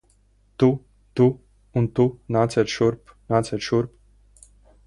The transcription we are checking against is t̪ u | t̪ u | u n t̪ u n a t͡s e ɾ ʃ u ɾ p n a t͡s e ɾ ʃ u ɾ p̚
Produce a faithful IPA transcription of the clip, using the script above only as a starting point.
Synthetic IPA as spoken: t̪ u | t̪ u | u n t̪ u n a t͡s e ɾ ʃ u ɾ p n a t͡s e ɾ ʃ u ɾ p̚